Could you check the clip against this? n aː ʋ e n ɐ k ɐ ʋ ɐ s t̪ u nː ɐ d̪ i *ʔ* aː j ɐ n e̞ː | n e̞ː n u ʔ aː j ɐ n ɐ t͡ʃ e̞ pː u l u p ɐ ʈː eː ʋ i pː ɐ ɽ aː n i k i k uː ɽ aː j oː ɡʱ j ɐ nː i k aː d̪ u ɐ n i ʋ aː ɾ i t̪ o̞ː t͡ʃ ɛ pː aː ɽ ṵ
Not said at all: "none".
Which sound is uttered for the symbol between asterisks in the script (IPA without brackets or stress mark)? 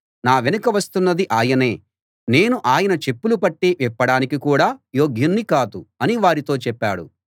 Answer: ʔ